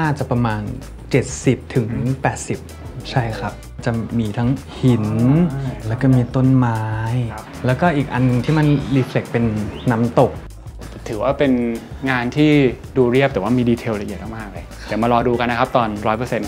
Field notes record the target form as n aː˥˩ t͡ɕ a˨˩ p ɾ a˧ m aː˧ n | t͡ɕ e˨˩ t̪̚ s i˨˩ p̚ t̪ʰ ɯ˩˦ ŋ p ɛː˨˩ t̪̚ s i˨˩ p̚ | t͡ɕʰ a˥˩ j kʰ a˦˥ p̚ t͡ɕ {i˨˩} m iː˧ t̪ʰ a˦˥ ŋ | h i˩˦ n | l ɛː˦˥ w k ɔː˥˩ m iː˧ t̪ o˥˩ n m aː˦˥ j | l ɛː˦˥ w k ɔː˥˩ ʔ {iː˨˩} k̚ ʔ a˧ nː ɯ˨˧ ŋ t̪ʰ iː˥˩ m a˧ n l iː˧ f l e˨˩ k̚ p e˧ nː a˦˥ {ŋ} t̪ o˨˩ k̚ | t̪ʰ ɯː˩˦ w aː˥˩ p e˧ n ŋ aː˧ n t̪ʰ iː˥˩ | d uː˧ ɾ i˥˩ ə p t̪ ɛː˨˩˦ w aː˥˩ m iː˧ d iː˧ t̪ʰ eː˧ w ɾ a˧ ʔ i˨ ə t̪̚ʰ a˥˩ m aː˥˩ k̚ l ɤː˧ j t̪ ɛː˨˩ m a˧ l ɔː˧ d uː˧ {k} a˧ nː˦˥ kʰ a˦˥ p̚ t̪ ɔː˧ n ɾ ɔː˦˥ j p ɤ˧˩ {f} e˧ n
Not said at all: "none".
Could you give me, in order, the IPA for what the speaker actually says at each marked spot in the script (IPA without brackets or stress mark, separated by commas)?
a˨˩, iː˨˩, m, k, s